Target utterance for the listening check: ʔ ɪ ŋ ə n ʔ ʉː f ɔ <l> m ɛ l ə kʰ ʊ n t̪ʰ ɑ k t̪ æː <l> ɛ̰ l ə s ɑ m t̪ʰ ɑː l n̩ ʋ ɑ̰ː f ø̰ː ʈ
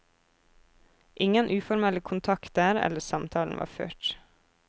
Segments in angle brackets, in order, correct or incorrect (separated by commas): incorrect, incorrect